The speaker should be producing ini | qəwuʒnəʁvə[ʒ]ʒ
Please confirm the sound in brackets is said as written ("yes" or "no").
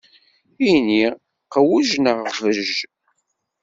yes